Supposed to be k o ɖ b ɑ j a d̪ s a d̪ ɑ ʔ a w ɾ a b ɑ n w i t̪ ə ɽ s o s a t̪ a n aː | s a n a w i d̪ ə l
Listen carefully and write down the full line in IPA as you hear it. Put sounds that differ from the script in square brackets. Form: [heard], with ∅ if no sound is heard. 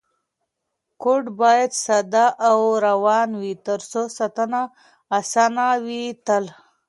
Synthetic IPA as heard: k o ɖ b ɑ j a d̪ s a d̪ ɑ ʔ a w ɾ a [w] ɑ n w i t̪ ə [ɾ] s o s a t̪ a n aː | s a n a w i [t̪] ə l